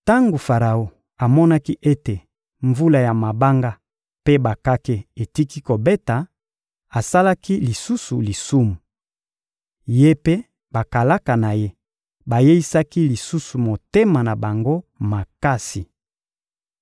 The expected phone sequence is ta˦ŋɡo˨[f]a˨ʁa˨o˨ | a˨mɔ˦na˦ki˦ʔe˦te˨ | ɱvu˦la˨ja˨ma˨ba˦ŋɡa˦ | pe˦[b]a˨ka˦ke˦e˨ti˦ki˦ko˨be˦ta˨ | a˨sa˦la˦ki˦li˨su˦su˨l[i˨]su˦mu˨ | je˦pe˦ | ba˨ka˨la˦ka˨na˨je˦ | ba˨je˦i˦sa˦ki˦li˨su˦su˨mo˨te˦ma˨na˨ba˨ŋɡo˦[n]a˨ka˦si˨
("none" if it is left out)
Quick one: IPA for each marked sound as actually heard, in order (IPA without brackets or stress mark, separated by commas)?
f, b, i˨, m